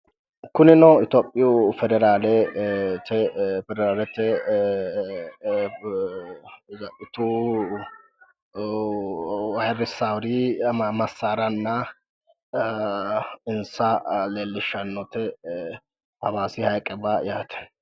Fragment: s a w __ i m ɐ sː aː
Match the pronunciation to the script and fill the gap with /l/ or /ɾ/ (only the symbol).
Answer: ɾ